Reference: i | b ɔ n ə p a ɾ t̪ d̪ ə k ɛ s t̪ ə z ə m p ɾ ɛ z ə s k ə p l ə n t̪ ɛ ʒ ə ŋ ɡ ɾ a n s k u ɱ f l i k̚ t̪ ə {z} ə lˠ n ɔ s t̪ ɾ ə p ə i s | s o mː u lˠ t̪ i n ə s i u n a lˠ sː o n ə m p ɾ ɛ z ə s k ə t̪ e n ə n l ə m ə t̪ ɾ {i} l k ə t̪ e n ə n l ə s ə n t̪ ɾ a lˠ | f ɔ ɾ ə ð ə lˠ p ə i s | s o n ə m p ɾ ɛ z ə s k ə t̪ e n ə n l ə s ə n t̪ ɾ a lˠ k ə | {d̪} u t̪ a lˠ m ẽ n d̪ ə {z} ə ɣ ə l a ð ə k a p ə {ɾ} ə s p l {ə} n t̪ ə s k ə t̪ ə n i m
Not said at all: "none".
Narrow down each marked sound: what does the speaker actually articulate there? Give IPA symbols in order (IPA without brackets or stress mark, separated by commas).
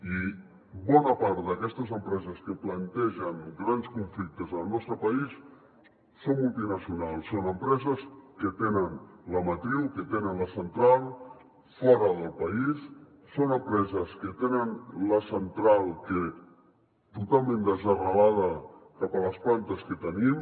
z, i, t̪, z, l, a